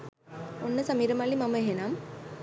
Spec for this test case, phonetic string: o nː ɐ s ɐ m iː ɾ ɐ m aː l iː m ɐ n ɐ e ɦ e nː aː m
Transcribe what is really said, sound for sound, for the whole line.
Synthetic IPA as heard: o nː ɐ s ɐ m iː ɾ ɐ m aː l i m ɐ m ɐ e ɦ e n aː m